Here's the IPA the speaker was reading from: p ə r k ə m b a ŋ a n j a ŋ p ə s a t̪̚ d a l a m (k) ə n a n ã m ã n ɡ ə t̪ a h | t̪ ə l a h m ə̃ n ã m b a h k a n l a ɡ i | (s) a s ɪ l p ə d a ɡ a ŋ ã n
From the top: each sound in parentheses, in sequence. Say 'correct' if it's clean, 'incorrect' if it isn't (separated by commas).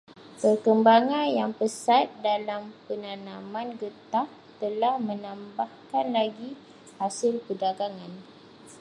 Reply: incorrect, incorrect